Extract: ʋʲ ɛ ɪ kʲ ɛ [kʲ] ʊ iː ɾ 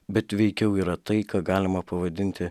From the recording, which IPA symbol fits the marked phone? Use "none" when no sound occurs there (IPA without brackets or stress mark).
none